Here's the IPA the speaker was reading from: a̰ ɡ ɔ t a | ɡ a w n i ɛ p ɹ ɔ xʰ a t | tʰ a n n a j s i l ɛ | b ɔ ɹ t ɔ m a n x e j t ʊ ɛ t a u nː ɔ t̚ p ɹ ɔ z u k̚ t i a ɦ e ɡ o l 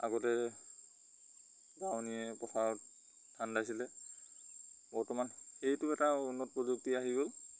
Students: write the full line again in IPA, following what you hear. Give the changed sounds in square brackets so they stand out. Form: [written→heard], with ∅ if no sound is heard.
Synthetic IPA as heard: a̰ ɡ ɔ t [a→ɛ] | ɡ a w n i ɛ p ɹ ɔ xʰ a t | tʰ a n [n→d] a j s i l ɛ | b ɔ ɹ t ɔ m a n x e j t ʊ ɛ t a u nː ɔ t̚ p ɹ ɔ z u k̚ t i a ɦ [e→i] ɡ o l

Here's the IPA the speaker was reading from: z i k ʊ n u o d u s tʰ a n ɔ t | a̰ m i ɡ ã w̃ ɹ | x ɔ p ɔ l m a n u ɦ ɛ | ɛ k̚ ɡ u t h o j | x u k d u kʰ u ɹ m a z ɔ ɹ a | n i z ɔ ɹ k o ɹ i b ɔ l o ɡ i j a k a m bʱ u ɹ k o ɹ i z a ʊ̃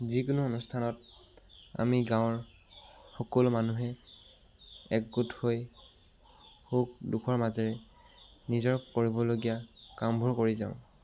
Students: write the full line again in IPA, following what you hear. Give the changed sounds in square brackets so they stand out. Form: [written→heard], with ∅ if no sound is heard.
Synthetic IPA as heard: z i k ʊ n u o [d→n] u s tʰ a n ɔ t | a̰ m i ɡ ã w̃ ɹ | x ɔ [p→k] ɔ l m a n u ɦ ɛ | ɛ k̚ ɡ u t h o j | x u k d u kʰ [u→ɔ] ɹ m a z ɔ ɹ [a→ɛ] | n i z ɔ ɹ k o ɹ i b ɔ l o ɡ i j a k a m bʱ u ɹ k o ɹ i z a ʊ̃

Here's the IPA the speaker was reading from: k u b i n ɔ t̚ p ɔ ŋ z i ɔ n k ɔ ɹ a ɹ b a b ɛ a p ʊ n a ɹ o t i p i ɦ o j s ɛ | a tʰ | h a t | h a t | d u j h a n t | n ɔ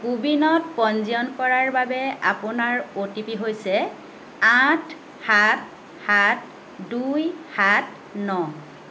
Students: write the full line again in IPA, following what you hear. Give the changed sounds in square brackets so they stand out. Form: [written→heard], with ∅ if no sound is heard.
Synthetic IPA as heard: k u b i n ɔ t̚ p ɔ [ŋ→n] z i ɔ n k ɔ ɹ a ɹ b a b ɛ a p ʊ n a ɹ o t i p i ɦ o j s ɛ | a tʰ | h a t | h a t | d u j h a [n→∅] t | n ɔ

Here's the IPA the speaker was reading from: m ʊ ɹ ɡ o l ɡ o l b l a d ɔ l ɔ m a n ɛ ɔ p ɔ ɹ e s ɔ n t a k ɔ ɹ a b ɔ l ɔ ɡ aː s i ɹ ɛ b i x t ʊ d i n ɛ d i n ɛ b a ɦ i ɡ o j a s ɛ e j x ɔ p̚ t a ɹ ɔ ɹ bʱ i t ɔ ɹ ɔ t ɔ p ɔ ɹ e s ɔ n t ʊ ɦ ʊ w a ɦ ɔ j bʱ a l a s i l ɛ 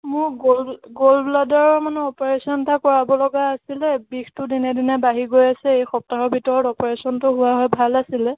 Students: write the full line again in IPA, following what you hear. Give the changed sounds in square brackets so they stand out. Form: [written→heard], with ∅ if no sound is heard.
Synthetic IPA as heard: m ʊ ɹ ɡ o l ɡ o l b l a d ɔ [l→ɹ] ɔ m a n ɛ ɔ p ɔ ɹ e s ɔ n t a k ɔ ɹ a b ɔ l ɔ ɡ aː s i [ɹ→l] ɛ b i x t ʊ d i n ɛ d i n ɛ b a ɦ i ɡ o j a s ɛ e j x ɔ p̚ t a ɹ ɔ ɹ bʱ i t ɔ ɹ ɔ t ɔ p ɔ ɹ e s ɔ n t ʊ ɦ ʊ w a ɦ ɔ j bʱ a l a s i l ɛ

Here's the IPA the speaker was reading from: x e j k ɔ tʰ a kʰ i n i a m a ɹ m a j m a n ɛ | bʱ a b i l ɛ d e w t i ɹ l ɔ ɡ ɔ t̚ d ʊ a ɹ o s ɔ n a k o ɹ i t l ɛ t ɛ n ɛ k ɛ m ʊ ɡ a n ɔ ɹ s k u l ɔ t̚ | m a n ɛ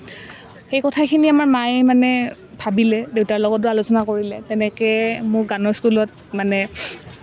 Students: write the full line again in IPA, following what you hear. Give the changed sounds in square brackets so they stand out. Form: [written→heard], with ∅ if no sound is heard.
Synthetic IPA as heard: x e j k ɔ tʰ a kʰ i n i a m a ɹ m a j m a n ɛ | bʱ a b i l ɛ d e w t [i→a] ɹ l ɔ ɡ ɔ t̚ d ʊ a [ɹ→l] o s ɔ n a k o ɹ i [t→∅] l ɛ t ɛ n ɛ k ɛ m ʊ ɡ a n ɔ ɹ s k u l ɔ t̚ | m a n ɛ

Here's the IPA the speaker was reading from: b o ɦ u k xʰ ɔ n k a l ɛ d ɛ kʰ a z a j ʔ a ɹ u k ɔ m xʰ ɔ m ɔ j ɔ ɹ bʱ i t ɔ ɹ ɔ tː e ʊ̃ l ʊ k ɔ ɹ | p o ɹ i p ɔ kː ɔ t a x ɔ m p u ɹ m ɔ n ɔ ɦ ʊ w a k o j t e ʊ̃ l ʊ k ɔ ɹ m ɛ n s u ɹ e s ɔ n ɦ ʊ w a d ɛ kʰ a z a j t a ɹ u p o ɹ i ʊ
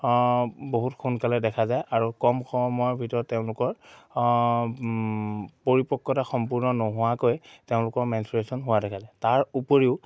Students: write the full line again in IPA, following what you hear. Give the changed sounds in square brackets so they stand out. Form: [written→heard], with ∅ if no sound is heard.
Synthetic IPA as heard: b o ɦ u [k→t] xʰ [ɔ→u] n k a l ɛ d ɛ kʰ a z a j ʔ a ɹ u k ɔ m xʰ ɔ m ɔ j ɔ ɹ bʱ i t ɔ ɹ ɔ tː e ʊ̃ l ʊ k ɔ ɹ | p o ɹ i p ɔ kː ɔ t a x ɔ m p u ɹ [m→n] ɔ n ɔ ɦ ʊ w a k o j t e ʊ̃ l ʊ k ɔ ɹ m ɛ n s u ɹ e s ɔ n ɦ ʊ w a d ɛ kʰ a z a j t a ɹ u p o ɹ i ʊ

